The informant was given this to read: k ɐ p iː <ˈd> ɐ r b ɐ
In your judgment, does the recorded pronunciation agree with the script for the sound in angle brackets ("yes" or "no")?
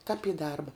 yes